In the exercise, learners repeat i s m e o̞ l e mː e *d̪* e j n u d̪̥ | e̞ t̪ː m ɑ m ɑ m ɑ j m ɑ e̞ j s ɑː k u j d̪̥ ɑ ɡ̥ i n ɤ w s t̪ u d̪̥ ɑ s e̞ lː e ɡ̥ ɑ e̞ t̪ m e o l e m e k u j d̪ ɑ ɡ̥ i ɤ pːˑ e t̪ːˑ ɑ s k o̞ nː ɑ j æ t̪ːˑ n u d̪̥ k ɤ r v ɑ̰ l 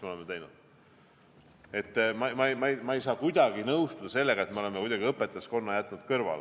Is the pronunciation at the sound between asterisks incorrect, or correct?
incorrect: t̪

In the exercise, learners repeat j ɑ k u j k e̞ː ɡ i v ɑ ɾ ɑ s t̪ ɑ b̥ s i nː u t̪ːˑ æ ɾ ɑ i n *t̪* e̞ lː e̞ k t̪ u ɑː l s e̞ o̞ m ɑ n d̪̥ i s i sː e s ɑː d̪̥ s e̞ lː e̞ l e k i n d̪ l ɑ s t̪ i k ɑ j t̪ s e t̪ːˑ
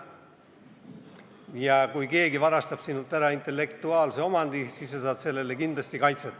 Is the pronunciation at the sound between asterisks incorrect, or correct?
correct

